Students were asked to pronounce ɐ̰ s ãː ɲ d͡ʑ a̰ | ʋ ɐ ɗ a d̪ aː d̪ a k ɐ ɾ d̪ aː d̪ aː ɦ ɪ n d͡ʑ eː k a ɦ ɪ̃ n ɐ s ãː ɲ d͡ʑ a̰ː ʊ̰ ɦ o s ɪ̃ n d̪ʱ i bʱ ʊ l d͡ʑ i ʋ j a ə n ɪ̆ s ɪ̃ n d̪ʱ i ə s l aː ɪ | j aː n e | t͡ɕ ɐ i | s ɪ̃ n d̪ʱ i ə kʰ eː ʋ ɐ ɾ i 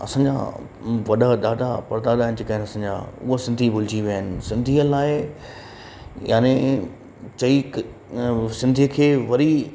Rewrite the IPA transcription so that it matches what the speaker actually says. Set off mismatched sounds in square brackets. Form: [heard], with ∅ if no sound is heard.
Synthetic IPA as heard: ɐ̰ s ãː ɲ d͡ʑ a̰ | ʋ ɐ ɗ a d̪ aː d̪ a [p] ɐ ɾ d̪ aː d̪ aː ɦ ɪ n d͡ʑ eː k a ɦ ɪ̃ n ɐ s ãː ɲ d͡ʑ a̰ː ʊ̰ ɦ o s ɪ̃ n d̪ʱ i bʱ ʊ l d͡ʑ i ʋ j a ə n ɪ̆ s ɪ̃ n d̪ʱ i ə [∅] l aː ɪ | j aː n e | t͡ɕ ɐ i | s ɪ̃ n d̪ʱ i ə kʰ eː ʋ ɐ ɾ i